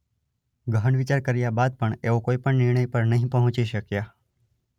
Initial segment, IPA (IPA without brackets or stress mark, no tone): ɡ